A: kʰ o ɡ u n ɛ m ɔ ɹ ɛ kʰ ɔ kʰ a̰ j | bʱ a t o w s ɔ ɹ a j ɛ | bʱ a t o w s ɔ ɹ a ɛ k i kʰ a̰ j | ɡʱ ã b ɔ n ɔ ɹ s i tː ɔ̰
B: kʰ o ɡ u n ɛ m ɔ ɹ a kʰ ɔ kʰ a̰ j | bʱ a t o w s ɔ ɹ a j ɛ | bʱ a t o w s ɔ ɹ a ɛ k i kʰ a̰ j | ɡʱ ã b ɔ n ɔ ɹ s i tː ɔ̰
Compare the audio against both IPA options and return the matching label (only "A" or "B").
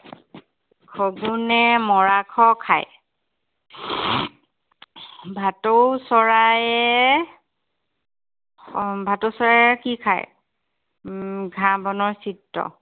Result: B